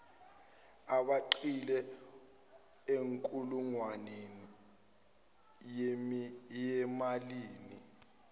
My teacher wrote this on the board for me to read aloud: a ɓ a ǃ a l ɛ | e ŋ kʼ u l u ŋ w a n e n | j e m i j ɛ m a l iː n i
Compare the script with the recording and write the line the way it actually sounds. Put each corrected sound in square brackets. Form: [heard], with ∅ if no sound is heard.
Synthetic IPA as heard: a ɓ a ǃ [i] l ɛ | e ŋ kʼ u l u ŋ w a n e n | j e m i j ɛ m a l iː n i